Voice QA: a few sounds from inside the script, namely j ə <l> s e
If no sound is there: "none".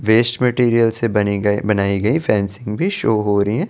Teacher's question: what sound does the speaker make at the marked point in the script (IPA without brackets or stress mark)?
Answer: l